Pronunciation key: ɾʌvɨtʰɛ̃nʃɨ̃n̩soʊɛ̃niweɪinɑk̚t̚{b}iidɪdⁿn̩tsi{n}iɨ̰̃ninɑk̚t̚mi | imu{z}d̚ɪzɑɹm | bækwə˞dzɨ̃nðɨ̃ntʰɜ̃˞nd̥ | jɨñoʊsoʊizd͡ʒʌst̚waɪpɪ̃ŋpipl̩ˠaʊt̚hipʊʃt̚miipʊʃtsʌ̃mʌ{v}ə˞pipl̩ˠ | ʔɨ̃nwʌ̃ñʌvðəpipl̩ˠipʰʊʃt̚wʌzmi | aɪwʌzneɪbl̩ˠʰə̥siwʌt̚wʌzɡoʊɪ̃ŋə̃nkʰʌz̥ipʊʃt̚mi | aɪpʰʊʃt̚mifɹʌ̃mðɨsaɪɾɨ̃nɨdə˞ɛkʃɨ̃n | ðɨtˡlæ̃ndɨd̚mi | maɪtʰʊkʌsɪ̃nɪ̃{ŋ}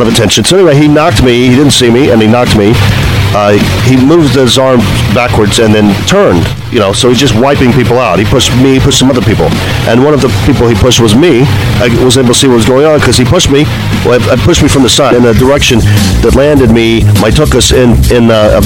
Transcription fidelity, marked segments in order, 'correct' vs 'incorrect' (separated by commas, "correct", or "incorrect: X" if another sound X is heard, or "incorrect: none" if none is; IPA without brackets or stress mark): incorrect: m, incorrect: m, incorrect: v, incorrect: ð, incorrect: n